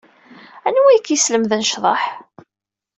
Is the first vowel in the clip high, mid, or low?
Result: low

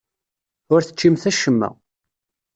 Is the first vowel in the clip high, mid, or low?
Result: high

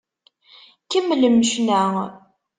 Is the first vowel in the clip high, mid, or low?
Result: mid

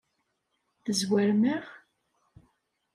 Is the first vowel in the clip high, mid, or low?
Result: mid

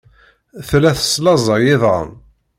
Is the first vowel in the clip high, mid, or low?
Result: low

